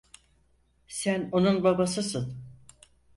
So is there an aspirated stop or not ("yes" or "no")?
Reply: no